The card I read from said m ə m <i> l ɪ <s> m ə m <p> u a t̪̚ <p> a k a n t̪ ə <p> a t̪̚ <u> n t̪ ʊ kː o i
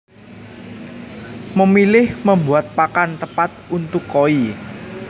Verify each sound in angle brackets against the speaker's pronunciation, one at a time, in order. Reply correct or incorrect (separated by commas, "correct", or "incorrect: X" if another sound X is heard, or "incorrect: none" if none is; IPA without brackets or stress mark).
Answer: correct, incorrect: h, incorrect: b, correct, correct, correct